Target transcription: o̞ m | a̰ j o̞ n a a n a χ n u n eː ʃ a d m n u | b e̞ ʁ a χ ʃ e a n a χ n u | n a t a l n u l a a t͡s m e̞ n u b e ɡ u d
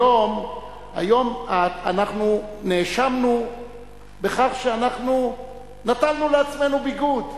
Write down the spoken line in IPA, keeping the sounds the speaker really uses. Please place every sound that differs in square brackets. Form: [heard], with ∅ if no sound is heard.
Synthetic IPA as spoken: o̞ m | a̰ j o̞ [m] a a n a χ n u n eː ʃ a [∅] m n u | b e̞ [χ] a χ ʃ e a n a χ n u | n a t a l n u l [e] a t͡s m e̞ n u b [i] ɡ u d

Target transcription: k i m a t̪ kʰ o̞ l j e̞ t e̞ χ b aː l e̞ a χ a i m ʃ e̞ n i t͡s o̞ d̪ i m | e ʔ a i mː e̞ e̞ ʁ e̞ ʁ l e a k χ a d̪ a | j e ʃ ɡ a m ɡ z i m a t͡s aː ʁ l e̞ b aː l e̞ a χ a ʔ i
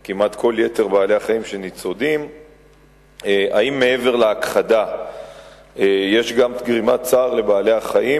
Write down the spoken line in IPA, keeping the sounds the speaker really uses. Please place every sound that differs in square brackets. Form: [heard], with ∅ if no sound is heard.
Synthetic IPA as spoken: k i m a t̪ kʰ o̞ l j e̞ t e̞ [ʁ] b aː l e̞ a χ a i m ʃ e̞ n i t͡s o̞ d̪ i m | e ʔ a i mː e̞ e̞ [v] e̞ ʁ l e a k χ a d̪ a | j e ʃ ɡ a m ɡ [ʁ] i m a t͡s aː ʁ l e̞ b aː l e̞ a χ a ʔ i

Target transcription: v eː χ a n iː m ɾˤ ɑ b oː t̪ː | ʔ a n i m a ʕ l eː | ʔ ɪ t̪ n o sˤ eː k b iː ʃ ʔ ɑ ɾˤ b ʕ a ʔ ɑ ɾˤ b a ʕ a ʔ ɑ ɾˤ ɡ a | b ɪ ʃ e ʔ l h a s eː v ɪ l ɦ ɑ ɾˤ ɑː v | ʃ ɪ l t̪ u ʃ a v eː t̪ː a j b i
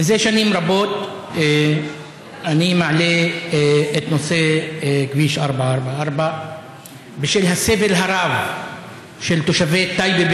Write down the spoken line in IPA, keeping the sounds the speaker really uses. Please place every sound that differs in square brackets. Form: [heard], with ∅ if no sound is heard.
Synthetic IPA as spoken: [z] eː [ʃ] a n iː m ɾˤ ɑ b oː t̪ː | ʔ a n i m a ʕ l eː | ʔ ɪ t̪ n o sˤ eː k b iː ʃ ʔ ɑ ɾˤ b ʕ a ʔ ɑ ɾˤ b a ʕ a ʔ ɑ ɾˤ [b] a | b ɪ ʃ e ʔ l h a s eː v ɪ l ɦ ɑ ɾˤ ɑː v | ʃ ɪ l t̪ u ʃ a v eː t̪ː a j b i

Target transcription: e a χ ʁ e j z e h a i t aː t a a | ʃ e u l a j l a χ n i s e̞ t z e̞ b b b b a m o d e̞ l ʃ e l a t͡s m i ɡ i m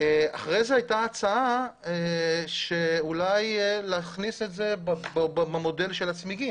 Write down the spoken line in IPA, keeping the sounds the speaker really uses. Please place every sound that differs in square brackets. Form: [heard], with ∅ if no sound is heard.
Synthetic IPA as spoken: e a χ ʁ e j z e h a [j] t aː [t͡s] a a | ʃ e u l a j l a χ n i s e̞ t z e̞ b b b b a m o d e̞ l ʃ e l a t͡s m i ɡ i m

